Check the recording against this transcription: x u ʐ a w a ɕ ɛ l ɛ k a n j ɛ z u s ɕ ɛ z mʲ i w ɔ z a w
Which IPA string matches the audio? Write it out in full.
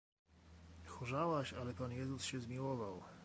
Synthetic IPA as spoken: x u ʐ a w a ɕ a l ɛ p a n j ɛ z u s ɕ ɛ z mʲ i w ɔ v a w